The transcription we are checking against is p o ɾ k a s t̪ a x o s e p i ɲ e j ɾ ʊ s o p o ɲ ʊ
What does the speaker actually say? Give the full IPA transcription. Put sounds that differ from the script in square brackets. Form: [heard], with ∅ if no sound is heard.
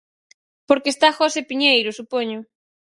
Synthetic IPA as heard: p o ɾ k [e] s t̪ a x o s e p i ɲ e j ɾ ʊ s [u] p o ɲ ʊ